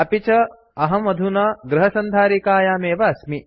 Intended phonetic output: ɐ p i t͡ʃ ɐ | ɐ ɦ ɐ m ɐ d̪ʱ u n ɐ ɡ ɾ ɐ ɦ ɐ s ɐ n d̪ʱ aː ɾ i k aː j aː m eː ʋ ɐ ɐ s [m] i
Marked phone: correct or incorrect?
correct